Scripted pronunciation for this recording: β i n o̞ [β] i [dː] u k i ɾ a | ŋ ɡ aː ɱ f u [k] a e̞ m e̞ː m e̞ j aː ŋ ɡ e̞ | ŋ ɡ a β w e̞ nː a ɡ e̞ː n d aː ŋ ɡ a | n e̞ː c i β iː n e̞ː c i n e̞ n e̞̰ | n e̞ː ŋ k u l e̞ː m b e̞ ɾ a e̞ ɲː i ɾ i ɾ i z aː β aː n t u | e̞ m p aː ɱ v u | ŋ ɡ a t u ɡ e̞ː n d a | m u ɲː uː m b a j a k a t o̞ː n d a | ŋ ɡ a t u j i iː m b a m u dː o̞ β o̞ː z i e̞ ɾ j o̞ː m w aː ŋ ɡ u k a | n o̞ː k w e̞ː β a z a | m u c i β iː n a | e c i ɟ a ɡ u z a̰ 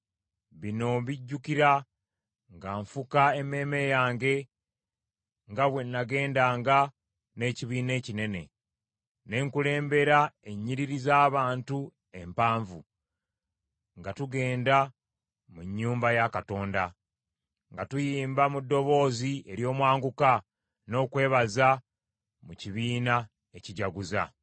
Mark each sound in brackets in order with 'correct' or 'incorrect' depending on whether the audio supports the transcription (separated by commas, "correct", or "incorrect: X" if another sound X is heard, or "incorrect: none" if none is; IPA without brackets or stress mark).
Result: correct, incorrect: ɟː, correct